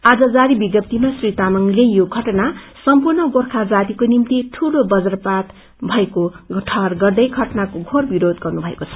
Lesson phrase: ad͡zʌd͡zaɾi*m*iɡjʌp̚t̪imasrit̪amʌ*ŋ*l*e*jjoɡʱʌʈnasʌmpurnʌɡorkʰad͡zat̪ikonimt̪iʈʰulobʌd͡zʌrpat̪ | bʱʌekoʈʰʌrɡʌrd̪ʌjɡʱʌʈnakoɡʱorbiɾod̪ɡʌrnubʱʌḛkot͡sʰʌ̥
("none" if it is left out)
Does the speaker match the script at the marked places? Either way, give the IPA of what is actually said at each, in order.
b, ŋ, e

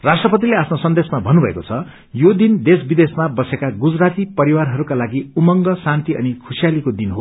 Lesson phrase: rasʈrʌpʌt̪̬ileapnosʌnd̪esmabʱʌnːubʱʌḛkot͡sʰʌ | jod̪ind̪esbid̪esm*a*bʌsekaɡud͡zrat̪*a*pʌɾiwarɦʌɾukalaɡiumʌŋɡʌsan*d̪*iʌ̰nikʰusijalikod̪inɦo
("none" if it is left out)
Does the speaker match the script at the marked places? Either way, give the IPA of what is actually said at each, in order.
a, i, t̪

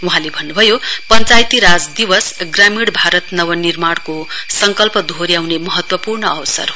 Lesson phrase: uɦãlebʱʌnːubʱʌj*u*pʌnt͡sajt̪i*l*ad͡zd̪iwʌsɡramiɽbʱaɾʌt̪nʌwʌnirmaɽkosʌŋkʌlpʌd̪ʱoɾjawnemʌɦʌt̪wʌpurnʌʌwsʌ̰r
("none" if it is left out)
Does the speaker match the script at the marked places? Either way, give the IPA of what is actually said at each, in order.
o, ɾ

